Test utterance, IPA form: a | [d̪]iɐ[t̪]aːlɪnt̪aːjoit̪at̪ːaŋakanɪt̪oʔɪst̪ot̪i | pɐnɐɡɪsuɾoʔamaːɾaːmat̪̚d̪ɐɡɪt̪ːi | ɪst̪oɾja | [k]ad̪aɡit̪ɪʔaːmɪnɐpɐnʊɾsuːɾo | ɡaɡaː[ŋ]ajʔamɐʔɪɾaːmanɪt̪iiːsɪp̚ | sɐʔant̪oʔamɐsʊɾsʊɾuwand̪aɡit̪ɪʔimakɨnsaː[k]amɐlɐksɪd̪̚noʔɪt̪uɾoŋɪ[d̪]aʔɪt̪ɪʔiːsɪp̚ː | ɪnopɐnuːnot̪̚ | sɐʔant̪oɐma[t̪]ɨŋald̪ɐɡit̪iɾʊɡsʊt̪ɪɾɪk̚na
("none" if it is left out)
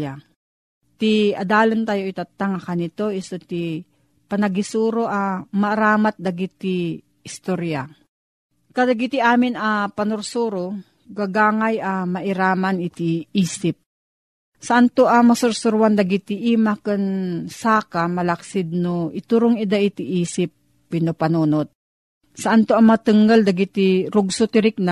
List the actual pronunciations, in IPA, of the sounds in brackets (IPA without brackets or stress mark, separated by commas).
t̪, d̪, k, ŋ, k, d̪, t̪